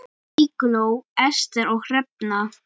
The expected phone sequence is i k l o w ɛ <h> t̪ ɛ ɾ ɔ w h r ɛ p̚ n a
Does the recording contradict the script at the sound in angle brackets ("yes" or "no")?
yes